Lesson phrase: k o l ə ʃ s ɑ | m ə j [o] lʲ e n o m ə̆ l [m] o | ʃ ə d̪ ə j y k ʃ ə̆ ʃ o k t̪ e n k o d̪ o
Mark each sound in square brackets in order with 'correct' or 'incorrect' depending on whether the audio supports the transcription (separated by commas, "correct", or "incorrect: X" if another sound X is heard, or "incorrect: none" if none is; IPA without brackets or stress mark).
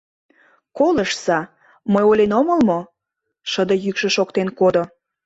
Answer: correct, correct